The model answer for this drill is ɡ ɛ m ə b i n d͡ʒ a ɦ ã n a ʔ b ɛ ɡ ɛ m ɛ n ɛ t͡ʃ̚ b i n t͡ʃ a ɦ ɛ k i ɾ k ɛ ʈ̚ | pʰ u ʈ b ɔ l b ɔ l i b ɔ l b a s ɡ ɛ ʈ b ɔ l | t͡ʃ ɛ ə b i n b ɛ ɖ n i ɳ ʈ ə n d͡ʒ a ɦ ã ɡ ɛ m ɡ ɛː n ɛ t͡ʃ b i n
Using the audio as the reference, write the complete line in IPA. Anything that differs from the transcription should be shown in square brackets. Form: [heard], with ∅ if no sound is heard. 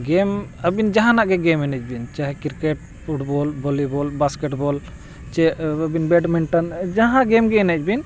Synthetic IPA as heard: ɡ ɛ m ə b i n d͡ʒ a ɦ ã n a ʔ [ɡ] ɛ ɡ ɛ m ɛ n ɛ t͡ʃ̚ b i n t͡ʃ a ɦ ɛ k i ɾ k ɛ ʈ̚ | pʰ u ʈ b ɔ l b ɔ l i b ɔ l b a s [k] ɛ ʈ b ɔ l | t͡ʃ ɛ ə b i n b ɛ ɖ [m] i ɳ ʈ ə n d͡ʒ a ɦ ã ɡ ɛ m ɡ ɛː n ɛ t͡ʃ b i n